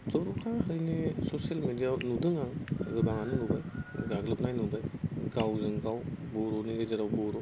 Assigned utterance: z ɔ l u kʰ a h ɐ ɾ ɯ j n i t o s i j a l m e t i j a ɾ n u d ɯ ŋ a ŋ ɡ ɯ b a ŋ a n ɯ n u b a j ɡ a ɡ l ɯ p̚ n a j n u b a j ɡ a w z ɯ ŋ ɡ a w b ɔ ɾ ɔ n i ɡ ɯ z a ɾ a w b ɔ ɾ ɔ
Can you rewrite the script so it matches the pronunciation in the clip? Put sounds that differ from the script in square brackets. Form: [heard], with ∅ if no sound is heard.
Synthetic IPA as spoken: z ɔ [ɾ] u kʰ a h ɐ ɾ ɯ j n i [s] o s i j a l m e [d] i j a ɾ n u d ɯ ŋ a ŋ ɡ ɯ b a ŋ a n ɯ n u b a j ɡ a ɡ l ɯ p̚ n a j n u b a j ɡ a w z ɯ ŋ ɡ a w b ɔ ɾ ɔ n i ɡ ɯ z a ɾ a w b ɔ ɾ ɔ